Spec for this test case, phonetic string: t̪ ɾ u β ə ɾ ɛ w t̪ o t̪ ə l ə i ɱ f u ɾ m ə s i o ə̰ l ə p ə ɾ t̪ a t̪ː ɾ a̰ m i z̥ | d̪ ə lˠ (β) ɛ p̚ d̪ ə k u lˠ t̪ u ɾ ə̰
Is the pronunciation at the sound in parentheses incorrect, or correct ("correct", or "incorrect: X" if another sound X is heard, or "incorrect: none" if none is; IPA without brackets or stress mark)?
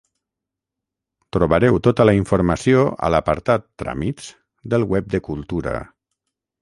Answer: incorrect: w